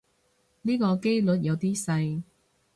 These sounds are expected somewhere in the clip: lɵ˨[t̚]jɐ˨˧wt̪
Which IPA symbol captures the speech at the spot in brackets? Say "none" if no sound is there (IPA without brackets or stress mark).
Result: t̚